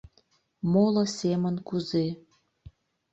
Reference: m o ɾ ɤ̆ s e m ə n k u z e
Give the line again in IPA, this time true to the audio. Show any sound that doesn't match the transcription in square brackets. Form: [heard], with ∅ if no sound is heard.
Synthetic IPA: m o [l] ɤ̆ s e m ə n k u z e